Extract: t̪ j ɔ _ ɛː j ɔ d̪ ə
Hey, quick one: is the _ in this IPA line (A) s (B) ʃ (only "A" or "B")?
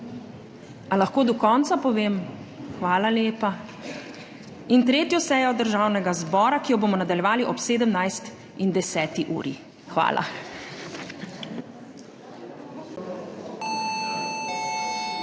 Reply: A